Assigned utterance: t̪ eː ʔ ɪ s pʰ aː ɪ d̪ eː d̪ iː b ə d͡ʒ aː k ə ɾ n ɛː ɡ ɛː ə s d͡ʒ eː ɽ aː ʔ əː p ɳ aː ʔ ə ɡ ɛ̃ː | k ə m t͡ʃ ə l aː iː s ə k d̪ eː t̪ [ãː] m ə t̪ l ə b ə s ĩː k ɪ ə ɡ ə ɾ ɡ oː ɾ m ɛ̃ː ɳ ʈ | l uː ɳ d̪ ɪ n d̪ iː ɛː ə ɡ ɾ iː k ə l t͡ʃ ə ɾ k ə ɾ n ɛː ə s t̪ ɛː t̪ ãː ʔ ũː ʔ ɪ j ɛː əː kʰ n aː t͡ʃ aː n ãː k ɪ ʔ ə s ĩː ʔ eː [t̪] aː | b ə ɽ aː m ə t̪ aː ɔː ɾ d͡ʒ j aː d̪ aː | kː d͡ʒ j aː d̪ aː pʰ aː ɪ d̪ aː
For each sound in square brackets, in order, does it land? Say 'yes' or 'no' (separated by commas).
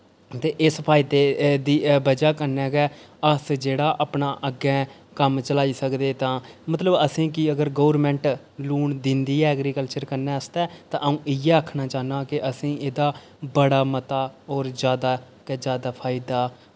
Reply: yes, no